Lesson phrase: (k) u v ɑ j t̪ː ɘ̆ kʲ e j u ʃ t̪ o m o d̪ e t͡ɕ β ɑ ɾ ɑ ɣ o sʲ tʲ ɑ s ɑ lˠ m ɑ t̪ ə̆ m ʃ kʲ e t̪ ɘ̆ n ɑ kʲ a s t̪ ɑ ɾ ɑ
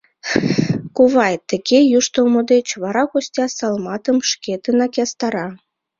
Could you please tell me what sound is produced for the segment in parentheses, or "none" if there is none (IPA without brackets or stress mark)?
k